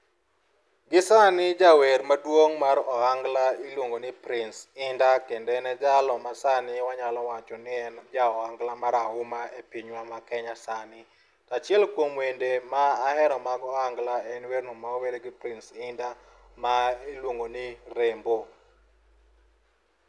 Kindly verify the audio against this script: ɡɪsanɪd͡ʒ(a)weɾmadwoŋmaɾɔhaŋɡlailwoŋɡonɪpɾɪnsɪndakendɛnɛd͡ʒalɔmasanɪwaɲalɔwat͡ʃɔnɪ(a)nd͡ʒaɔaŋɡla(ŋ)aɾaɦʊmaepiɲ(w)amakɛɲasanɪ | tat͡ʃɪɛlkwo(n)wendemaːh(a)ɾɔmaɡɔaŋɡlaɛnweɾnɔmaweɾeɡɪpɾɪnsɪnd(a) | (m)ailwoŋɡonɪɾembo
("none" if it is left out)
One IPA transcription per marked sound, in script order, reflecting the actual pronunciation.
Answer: a, ɛ, m, w, m, ɛ, a, m

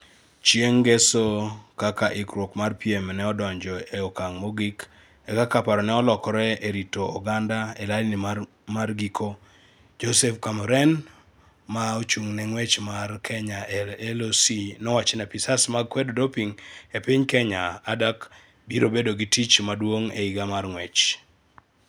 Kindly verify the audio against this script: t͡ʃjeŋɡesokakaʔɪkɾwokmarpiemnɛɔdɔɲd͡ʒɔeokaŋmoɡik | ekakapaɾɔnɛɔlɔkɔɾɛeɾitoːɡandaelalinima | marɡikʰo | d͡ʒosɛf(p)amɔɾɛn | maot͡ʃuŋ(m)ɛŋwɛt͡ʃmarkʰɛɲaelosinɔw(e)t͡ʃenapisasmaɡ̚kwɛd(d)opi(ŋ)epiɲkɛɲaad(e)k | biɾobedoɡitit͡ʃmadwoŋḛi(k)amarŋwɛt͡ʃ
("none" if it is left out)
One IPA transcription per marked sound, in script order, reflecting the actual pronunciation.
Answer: k, n, a, d, ŋ, a, ɡ

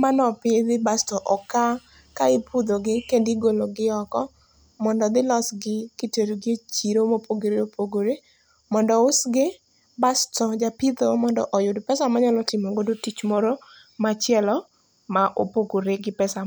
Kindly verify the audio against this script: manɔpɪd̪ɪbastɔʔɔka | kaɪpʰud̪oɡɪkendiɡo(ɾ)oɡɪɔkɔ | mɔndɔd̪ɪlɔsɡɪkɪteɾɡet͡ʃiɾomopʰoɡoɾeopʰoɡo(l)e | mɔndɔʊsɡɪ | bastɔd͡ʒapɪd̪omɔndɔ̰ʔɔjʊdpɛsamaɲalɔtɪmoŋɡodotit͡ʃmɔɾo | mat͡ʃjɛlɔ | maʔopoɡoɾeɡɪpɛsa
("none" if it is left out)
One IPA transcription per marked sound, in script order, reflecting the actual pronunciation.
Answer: l, ɾ

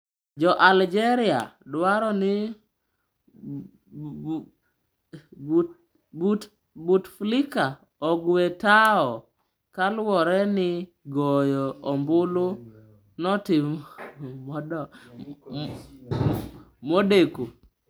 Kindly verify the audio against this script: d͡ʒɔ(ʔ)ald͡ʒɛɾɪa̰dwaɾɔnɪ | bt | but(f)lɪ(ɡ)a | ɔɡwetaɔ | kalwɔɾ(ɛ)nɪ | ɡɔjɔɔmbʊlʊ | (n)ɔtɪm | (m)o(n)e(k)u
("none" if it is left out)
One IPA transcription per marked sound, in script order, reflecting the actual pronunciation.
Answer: ʔ, f, k, ɛ, n, m, d, k

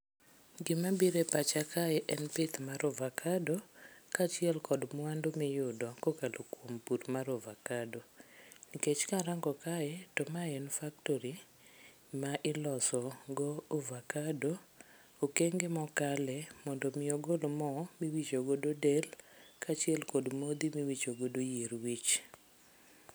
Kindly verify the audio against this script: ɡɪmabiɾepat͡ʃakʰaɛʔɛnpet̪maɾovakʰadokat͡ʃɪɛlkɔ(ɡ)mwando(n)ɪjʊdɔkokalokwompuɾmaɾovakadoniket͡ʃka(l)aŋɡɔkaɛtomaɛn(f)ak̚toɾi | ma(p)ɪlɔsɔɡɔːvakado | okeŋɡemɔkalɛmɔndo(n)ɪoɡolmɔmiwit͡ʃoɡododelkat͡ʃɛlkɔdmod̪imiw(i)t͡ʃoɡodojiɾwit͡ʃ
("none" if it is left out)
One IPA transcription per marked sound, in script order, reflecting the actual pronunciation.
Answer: d, m, ɾ, f, ʔ, m, i

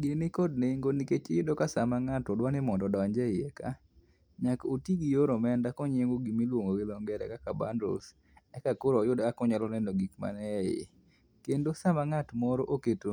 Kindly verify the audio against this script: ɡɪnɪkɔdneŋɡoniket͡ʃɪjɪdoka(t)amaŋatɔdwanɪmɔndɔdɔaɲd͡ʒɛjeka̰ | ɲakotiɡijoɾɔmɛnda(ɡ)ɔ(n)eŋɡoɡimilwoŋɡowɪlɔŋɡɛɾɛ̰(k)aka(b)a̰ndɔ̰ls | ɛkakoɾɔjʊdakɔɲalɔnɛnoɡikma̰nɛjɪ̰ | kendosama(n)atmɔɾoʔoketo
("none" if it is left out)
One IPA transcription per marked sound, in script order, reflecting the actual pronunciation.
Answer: s, k, ɲ, k, b, ŋ

